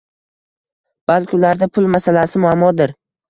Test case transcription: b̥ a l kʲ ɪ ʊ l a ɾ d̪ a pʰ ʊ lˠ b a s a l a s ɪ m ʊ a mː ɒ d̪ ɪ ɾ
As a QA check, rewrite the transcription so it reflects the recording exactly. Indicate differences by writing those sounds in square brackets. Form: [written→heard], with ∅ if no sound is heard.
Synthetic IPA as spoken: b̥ a l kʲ ɪ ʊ l a ɾ d̪ a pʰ ʊ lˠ [b→m] a s a l a s ɪ m ʊ a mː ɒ d̪ ɪ ɾ